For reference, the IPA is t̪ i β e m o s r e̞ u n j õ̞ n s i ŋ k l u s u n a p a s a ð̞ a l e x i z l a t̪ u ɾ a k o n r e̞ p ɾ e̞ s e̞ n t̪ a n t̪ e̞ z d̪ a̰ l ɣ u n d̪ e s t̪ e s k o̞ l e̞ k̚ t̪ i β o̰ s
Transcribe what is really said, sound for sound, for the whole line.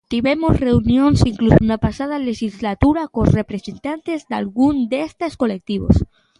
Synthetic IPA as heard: t̪ i β e m o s r e̞ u n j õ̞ n s i ŋ k l u s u n a p a s a ð̞ a l e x i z l a t̪ u ɾ a k o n r e̞ p ɾ e̞ s e̞ n t̪ a n t̪ e̞ z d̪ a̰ l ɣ u n d̪ e s t̪ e s k o̞ l e̞ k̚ t̪ i β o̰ s